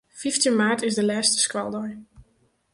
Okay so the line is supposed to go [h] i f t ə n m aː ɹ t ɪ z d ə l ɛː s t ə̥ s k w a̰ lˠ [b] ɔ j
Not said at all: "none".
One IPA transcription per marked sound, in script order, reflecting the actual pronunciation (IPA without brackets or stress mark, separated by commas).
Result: f, d